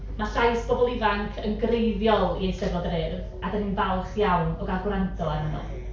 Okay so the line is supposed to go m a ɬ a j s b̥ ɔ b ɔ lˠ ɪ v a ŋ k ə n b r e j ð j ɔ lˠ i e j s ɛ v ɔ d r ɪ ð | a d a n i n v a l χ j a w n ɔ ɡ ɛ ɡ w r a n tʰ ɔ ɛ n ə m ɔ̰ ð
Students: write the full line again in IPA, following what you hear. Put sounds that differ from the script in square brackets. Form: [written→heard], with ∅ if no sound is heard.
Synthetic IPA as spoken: m a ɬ a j s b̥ ɔ b ɔ lˠ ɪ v a ŋ [k→kʰ] ə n [b→ɡ] r e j ð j ɔ lˠ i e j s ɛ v ɔ d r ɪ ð | a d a n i n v a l χ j a w n ɔ ɡ [ɛ→a] ɡ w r a n tʰ ɔ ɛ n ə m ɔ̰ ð

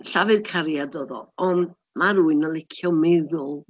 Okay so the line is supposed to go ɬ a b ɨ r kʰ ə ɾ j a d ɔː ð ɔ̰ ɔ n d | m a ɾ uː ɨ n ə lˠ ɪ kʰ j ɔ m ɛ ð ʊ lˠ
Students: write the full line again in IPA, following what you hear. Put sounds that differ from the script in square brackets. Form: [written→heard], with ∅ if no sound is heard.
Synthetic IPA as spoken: ɬ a [b→v] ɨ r kʰ [ə→a] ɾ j a d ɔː ð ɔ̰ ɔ n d | m a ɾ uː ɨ n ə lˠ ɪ kʰ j ɔ m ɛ ð ʊ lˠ

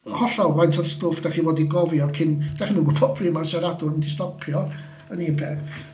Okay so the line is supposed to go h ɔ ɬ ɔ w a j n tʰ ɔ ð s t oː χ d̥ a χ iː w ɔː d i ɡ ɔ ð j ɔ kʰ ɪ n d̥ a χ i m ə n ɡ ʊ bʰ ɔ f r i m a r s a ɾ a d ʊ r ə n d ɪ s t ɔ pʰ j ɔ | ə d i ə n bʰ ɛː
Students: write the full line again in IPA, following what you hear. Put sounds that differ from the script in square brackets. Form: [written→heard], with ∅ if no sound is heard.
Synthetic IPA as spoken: h ɔ ɬ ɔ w a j n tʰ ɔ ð s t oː [χ→f] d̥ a χ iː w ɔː d i ɡ ɔ [ð→v] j ɔ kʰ ɪ n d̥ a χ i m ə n ɡ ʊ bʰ ɔ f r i m a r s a ɾ a d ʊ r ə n d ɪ s t ɔ pʰ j ɔ | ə [d→n] i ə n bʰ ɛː

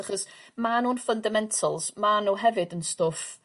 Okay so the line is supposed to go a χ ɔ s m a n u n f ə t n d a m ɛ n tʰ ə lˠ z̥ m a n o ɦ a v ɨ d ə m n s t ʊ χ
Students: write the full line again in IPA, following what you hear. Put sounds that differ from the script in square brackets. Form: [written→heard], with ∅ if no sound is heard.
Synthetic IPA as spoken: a χ ɔ s m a n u n f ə [t→∅] n d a m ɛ n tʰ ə lˠ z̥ m a n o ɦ [a→ɛ] v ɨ d ə [m→∅] n s t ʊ [χ→f]

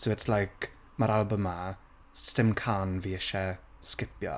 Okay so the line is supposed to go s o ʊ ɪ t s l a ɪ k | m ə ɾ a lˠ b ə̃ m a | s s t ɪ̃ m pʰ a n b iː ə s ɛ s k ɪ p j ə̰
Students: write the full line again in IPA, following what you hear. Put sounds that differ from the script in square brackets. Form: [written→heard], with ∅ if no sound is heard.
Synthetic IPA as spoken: s o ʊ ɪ t s l a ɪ k | m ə ɾ a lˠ b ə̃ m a | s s t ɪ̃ m [pʰ→kʰ] a n [b→v] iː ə [s→ʃ] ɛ s k ɪ p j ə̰

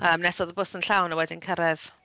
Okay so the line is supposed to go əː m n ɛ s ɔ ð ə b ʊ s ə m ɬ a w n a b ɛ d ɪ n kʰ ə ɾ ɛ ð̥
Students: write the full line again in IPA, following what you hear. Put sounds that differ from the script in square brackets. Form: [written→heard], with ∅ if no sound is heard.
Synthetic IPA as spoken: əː m n ɛ s ɔ ð ə b ʊ s ə [m→n] ɬ a w n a [b→w] ɛ d ɪ n kʰ ə ɾ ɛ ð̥

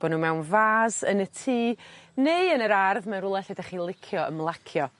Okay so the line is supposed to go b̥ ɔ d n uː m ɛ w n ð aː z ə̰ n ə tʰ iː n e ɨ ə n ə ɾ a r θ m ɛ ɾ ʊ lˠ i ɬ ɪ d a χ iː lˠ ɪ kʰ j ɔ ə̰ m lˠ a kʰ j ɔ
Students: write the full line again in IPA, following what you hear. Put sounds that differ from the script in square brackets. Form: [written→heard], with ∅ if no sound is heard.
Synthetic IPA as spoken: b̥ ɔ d n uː m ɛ w n [ð→v] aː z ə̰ n ə tʰ iː n e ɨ ə n ə ɾ a r [θ→ð] m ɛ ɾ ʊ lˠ [i→ɛ] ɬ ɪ d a χ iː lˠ ɪ kʰ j ɔ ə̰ m lˠ a kʰ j ɔ

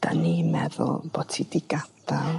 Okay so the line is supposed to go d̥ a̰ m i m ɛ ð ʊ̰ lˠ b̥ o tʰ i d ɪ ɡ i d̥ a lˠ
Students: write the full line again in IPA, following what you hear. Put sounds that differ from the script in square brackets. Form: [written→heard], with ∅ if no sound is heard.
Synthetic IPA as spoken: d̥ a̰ [m→n] i m ɛ ð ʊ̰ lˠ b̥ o tʰ i d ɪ ɡ [i→a] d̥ a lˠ

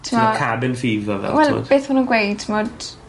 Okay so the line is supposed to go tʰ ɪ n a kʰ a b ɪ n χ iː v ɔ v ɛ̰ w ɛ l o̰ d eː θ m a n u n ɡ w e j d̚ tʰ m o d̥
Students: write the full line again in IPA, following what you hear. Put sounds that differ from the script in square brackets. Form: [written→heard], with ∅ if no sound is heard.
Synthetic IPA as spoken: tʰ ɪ [n→m] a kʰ a b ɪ n [χ→f] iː v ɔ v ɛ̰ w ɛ l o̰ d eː θ m a n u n ɡ w e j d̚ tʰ m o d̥

